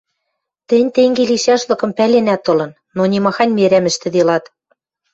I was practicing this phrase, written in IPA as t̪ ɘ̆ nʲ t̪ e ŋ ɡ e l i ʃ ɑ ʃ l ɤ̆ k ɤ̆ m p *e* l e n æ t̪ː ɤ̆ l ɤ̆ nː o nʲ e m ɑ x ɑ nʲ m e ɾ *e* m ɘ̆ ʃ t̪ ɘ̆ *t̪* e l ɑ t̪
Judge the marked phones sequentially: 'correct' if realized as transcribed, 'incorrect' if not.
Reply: incorrect: æ, incorrect: æ, incorrect: d̪

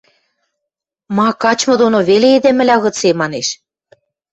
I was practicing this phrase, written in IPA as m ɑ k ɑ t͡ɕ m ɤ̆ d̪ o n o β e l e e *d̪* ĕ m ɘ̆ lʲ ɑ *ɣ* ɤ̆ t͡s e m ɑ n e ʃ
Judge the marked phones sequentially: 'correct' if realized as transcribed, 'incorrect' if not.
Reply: correct, correct

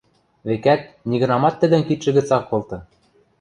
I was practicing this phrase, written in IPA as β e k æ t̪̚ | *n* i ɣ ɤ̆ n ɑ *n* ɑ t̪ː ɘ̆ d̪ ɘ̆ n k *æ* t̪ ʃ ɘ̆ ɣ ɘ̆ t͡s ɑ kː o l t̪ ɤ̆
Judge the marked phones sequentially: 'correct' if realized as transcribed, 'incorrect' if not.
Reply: correct, incorrect: m, incorrect: i

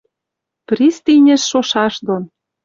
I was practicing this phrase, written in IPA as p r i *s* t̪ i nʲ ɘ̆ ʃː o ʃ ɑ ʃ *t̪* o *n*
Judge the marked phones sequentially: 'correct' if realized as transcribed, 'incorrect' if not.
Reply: correct, incorrect: d̪, correct

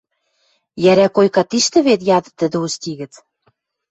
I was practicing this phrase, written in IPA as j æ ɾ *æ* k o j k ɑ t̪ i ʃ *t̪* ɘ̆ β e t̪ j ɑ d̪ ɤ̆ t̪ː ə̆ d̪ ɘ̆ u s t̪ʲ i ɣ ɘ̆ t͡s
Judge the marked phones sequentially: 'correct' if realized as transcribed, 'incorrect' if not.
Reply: correct, correct

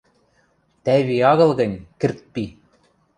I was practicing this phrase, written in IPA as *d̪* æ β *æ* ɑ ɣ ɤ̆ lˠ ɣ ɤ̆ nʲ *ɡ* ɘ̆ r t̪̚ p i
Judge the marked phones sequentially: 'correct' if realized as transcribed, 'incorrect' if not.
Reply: incorrect: t̪, incorrect: i, incorrect: k

